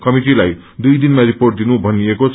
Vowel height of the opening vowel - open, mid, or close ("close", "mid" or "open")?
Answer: mid